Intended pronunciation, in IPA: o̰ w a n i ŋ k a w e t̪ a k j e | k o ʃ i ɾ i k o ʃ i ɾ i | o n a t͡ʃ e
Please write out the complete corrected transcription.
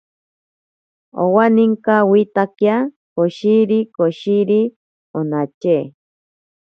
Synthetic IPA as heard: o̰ w a n i ŋ k a w i t̪ a k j a | k o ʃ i ɾ i k o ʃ i ɾ i | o n a t͡ʃ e